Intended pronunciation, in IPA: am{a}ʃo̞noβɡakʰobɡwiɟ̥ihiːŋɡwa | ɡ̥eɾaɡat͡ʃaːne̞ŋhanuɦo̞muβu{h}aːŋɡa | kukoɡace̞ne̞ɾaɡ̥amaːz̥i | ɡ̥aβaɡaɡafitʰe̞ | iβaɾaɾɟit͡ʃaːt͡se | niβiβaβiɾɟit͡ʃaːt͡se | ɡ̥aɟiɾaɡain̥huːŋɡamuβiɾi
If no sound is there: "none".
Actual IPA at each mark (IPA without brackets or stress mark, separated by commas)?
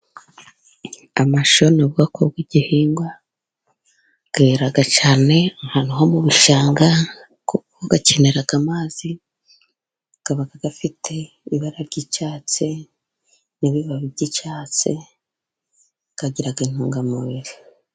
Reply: a, ʃ